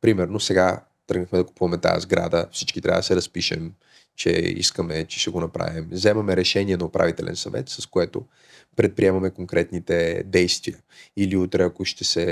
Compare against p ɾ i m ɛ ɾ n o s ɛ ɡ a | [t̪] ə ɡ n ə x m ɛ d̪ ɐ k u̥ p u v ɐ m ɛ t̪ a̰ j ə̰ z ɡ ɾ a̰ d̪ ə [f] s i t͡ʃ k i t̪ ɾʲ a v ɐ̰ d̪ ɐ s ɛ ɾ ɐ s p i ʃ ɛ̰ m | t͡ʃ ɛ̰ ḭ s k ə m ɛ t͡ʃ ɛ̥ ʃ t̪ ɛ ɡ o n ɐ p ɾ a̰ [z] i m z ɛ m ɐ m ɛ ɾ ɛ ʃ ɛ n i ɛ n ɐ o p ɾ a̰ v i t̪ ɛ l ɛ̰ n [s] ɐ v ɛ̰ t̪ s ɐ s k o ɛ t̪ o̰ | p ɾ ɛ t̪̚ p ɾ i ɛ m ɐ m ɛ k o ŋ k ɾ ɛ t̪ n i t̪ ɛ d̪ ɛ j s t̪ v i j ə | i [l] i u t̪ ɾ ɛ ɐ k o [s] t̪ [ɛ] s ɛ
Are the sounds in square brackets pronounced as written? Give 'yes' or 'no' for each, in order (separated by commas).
yes, yes, no, yes, yes, no, yes